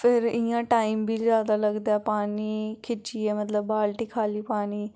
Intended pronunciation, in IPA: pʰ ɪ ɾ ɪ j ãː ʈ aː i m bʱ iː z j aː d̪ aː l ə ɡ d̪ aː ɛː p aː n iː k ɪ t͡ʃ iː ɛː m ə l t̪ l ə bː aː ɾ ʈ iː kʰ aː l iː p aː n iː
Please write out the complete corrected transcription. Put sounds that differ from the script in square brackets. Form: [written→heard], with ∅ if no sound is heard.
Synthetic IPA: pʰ ɪ ɾ ɪ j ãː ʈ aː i m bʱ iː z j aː d̪ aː l ə ɡ d̪ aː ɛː p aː n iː [k→kʰ] ɪ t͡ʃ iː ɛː m ə [l→∅] t̪ l ə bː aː [ɾ→l] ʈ iː kʰ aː l iː p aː n iː